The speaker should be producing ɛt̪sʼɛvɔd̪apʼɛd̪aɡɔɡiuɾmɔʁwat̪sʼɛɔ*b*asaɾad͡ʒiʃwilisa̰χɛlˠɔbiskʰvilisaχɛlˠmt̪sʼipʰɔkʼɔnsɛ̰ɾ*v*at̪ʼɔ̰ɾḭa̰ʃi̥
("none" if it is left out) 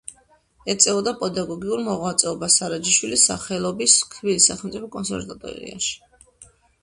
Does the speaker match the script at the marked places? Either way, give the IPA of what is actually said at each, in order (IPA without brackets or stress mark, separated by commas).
b, v